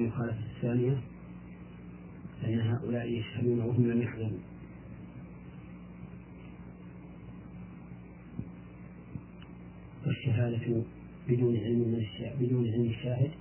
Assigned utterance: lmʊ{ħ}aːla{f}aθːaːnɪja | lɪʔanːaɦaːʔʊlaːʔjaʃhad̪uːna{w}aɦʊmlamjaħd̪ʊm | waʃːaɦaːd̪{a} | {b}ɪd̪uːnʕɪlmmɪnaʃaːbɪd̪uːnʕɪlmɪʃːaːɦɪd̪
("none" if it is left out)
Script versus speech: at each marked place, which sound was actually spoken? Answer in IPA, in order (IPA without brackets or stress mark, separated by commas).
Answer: x, f, w, a, b